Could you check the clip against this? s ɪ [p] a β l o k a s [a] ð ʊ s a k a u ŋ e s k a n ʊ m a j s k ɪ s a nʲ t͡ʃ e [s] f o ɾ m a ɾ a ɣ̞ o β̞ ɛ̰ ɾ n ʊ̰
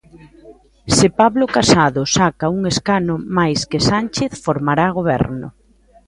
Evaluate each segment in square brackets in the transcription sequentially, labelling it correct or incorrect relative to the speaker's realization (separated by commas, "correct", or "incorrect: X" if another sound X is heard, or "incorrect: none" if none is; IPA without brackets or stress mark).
correct, correct, incorrect: θ